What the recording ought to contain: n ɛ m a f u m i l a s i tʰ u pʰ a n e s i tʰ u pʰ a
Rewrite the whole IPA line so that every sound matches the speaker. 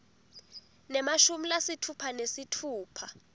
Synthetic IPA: n ɛ m a ʃ u m i l a s i tʰ u pʰ a n e s i tʰ uː pʰ a